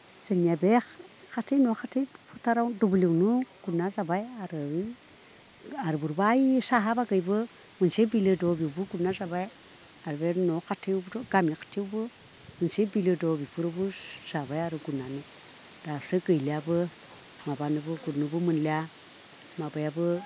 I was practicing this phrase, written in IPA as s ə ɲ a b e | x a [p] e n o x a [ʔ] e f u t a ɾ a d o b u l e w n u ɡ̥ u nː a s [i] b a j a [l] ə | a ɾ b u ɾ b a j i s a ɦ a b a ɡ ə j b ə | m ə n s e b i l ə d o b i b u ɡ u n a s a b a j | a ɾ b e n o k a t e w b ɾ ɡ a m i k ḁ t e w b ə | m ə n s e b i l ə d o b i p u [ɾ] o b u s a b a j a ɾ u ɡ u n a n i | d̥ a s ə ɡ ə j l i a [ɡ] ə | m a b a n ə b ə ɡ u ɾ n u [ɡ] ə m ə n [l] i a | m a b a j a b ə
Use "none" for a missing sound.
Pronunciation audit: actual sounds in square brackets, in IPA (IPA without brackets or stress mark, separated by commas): t, t, a, ɾ, ɾ, b, b, l